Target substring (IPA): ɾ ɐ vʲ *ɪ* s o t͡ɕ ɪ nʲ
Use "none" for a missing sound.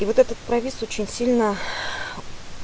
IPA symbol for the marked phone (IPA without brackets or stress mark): i